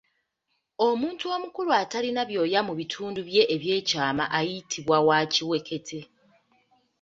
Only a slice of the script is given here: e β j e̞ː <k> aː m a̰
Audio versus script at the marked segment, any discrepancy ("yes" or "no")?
yes